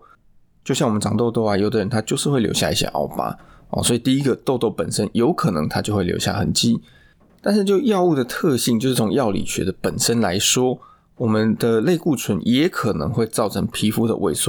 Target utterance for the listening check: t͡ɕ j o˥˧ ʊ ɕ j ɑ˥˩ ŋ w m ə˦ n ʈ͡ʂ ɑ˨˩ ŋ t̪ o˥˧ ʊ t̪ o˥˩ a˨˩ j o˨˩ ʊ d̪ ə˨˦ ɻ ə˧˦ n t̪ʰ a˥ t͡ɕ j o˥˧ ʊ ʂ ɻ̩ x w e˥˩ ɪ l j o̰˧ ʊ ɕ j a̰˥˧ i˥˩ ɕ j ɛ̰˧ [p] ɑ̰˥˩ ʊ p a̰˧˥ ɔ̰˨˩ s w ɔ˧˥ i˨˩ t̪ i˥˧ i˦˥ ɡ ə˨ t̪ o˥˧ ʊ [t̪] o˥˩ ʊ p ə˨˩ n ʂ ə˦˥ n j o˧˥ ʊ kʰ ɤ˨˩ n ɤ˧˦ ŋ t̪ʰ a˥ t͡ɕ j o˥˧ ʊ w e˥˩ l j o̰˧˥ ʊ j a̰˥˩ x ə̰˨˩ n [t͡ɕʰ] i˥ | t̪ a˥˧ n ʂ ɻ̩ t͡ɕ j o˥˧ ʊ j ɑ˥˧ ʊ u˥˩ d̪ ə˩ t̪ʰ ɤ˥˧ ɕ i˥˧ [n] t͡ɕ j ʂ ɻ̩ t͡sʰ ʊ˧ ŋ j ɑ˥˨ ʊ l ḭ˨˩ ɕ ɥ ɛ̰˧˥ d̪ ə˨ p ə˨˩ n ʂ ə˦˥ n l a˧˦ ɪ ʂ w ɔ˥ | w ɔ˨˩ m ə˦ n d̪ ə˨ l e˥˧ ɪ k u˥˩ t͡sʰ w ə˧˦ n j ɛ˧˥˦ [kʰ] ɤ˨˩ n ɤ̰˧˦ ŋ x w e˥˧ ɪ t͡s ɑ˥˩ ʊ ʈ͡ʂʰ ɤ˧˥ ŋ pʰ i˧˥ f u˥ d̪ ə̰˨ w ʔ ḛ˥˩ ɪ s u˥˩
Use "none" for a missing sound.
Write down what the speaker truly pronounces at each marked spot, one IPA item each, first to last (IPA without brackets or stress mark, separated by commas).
ʔ, t̪, t͡ɕ, ŋ, kʰ